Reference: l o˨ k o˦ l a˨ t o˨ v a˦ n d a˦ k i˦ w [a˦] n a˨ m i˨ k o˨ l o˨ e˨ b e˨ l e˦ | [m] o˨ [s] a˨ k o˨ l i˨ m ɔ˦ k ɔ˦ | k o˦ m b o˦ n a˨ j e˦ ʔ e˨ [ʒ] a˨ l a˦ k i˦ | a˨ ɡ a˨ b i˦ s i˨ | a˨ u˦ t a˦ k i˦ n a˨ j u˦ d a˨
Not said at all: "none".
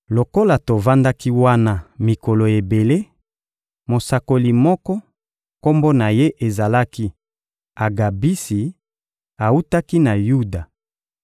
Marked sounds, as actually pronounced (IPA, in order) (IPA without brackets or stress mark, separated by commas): a˦, m, s, z